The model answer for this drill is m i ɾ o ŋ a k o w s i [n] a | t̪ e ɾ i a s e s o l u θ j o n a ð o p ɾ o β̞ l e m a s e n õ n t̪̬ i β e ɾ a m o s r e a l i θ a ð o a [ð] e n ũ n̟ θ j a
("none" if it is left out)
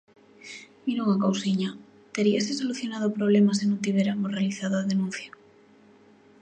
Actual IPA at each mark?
ɲ, ð

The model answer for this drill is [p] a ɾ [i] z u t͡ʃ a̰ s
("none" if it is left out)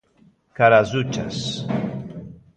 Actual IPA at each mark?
k, a

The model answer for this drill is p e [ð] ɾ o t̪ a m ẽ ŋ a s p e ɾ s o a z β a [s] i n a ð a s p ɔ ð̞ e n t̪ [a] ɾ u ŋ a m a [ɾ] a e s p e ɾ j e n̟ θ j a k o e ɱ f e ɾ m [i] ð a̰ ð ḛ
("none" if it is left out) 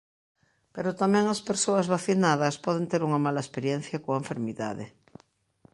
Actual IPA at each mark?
none, θ, e, l, i

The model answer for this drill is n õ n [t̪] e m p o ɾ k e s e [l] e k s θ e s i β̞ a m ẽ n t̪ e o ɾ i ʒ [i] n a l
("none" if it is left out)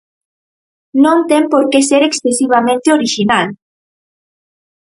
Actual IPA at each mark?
t̪, ɾ, i

